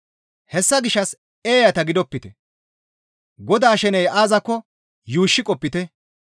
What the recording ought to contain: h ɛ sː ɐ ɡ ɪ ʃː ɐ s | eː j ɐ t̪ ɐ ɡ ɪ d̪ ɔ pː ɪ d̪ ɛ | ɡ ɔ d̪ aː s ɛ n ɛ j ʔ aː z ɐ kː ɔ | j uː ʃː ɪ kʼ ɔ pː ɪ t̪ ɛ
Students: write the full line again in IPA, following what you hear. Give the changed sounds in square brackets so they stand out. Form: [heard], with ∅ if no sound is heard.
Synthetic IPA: h ɛ sː ɐ ɡ ɪ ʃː ɐ s | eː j ɐ t̪ ɐ ɡ ɪ d̪ ɔ pː ɪ [t̪] ɛ | ɡ ɔ d̪ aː [ʃ] ɛ n ɛ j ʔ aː z ɐ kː ɔ | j uː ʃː ɪ kʼ ɔ pː ɪ t̪ ɛ